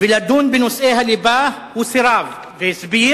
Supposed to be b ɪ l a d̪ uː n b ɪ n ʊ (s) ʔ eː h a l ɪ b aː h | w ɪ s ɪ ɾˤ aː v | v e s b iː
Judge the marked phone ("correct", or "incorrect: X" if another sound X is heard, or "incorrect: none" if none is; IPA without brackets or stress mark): correct